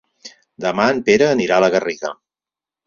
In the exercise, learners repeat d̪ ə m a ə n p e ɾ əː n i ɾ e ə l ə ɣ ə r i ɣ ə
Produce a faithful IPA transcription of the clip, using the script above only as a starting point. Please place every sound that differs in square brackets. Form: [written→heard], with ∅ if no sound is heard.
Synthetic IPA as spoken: d̪ ə m a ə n p e ɾ əː n i ɾ [e→a] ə l ə ɣ ə r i ɣ ə